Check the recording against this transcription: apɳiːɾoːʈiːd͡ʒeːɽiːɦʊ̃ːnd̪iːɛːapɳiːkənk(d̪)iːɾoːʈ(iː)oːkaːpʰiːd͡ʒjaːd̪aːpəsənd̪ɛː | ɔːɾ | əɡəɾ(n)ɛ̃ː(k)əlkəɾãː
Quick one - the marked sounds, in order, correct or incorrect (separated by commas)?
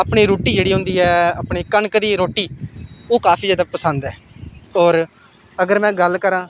correct, correct, incorrect, incorrect